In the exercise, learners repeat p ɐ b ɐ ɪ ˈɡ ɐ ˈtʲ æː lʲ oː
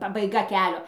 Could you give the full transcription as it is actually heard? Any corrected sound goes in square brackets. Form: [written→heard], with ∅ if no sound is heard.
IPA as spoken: p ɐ b ɐ ɪ ˈɡ ɐ [ˈtʲ→ˈkʲ] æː lʲ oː